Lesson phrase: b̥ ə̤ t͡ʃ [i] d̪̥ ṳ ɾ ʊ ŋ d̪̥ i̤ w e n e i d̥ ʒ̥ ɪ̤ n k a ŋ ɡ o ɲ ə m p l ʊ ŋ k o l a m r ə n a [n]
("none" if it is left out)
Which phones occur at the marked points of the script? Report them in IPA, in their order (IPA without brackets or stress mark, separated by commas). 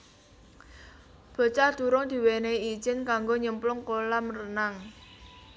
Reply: a, ŋ